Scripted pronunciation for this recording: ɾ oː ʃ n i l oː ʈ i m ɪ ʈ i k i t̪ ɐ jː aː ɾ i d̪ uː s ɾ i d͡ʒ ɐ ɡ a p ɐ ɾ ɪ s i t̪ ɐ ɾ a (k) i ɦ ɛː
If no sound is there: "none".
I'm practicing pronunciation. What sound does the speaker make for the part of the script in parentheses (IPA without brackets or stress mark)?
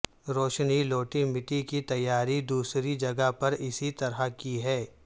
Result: k